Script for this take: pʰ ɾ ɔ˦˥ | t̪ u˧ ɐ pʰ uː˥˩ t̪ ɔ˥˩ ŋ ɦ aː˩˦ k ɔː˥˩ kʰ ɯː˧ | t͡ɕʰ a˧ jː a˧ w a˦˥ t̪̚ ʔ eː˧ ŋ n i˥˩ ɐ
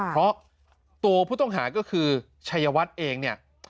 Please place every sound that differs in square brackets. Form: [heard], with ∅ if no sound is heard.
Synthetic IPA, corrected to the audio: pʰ ɾ ɔ˦˥ | t̪ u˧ ɐ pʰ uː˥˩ t̪ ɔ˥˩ ŋ ɦ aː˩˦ k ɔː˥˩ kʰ ɯː˧ | t͡ɕʰ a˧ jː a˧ w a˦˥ t̪̚ ʔ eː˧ ŋ n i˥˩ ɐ